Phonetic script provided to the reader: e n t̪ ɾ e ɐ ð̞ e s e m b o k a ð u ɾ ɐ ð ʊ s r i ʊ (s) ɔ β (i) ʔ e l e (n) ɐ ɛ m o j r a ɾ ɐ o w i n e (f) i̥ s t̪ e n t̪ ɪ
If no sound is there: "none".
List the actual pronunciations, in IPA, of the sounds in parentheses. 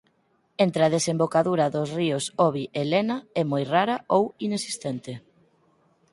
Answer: s, i, n, s

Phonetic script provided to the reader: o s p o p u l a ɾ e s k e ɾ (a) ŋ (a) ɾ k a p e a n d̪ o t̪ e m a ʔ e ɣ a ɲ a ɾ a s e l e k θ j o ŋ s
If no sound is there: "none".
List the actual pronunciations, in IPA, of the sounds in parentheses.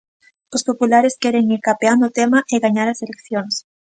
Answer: e, i

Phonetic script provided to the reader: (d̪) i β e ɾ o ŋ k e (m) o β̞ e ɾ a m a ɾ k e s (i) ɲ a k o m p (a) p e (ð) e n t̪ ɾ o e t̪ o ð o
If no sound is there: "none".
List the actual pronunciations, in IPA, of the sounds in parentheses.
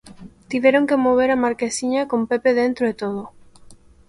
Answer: t̪, m, i, e, ð

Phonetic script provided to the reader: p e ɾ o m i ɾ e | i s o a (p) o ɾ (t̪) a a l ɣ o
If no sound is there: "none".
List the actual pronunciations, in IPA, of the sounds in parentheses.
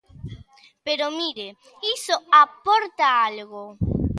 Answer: p, t̪

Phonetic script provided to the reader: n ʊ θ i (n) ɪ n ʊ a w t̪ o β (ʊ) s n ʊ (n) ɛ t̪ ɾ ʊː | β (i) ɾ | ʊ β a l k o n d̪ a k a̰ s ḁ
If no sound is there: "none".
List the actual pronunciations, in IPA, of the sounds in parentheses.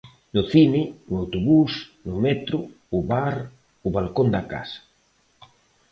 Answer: n, u, m, a

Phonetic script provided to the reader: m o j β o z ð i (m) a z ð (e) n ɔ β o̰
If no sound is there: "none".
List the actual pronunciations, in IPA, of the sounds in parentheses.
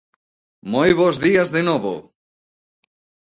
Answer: none, e

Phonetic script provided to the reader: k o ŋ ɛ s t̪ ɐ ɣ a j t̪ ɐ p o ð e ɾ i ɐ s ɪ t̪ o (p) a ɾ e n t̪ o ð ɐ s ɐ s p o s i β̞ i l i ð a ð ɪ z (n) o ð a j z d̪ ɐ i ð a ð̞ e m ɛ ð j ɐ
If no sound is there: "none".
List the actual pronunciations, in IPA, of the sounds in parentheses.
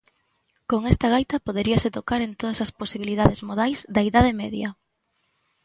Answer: k, m

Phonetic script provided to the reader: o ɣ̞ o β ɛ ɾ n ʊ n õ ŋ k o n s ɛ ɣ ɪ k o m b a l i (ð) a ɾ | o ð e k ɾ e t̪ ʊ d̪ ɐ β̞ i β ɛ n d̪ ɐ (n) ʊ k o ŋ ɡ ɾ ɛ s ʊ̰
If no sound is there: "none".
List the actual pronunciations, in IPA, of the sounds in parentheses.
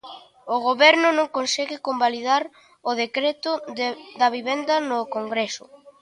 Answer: ð, n

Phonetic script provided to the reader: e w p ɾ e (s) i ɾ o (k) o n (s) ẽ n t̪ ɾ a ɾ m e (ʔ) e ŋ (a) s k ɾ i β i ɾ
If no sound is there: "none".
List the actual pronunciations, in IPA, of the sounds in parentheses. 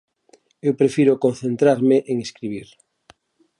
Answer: f, k, θ, ʔ, e

